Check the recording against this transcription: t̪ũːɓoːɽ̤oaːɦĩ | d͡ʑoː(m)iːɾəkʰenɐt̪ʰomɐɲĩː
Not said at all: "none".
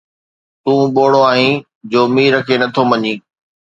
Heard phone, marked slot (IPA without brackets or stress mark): m